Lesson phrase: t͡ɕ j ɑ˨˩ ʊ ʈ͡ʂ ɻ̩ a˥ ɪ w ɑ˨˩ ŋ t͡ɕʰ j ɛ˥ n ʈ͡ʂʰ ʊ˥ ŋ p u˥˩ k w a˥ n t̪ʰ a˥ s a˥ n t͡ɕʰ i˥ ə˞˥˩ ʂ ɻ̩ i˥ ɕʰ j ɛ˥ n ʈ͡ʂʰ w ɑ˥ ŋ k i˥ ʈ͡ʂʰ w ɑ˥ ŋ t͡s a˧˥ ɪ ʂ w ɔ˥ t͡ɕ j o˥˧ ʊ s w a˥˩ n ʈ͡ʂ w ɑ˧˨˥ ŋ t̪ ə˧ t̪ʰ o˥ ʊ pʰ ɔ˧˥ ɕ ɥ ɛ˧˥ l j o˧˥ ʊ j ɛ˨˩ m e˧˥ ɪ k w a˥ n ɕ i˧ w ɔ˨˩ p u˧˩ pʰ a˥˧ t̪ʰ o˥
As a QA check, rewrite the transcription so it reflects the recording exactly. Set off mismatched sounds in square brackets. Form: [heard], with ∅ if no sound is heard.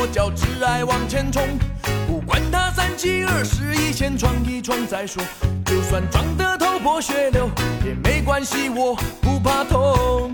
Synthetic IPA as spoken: t͡ɕ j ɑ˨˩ ʊ ʈ͡ʂ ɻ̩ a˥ ɪ w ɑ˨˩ ŋ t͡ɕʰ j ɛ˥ n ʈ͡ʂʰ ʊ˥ ŋ p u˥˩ k w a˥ n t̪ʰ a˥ s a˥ n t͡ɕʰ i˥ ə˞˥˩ ʂ ɻ̩ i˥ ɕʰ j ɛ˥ n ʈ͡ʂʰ w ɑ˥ ŋ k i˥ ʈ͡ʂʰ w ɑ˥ ŋ t͡s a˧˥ ɪ ʂ w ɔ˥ t͡ɕ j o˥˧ ʊ s w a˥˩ n ʈ͡ʂ w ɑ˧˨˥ ŋ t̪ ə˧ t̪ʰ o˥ ʊ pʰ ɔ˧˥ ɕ ɥ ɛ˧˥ l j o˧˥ ʊ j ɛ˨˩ m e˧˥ ɪ k w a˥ n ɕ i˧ w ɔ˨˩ p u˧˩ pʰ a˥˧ t̪ʰ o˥